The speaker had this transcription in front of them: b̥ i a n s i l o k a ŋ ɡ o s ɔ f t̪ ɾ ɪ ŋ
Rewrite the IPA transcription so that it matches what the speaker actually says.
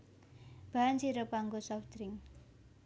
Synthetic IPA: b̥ a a n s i ɾ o p a ŋ ɡ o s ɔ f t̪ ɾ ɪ ŋ